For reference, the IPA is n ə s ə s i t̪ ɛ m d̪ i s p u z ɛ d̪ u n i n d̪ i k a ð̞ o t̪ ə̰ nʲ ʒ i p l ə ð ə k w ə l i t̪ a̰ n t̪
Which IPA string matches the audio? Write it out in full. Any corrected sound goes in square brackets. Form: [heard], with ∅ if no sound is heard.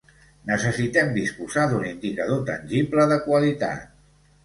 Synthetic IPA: n ə s ə s i t̪ ɛ m d̪ i s p u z [a] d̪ u n i n d̪ i k [ə] ð̞ o t̪ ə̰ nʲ ʒ i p l ə ð ə k w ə l i t̪ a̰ [∅] t̪